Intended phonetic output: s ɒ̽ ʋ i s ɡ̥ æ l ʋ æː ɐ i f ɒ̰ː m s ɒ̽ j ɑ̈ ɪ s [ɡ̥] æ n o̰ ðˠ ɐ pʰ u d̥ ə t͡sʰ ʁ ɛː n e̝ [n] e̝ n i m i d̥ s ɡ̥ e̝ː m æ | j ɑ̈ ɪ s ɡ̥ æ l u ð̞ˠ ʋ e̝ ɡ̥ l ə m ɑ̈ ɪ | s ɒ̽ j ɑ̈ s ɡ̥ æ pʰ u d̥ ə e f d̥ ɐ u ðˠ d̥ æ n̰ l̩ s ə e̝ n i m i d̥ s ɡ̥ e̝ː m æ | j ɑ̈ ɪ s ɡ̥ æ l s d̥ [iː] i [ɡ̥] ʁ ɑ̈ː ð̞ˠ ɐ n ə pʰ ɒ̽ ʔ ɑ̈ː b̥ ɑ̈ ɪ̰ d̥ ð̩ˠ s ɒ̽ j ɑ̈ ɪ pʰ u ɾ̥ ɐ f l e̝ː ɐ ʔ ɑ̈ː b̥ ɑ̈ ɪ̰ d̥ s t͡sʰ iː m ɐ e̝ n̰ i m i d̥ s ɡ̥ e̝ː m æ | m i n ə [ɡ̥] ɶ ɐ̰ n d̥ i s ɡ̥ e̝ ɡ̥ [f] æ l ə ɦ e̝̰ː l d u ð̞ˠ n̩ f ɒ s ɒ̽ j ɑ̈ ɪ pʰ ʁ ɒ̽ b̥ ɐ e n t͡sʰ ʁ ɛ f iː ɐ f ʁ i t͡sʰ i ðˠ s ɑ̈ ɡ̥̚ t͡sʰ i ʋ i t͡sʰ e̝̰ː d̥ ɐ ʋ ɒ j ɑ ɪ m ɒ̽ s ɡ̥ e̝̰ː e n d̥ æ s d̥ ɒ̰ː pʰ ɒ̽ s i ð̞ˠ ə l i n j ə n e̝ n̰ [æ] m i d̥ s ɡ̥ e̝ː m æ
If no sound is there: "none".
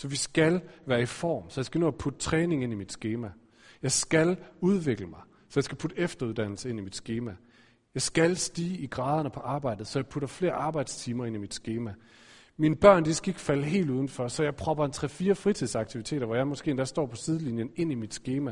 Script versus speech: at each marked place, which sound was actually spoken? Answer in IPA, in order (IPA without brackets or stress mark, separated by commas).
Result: ɡ̥, ŋ, iː, ɡ̥, b̥, f, i